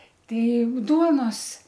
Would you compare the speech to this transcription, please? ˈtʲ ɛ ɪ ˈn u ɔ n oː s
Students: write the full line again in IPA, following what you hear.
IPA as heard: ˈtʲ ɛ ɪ ˈd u ɔ n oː s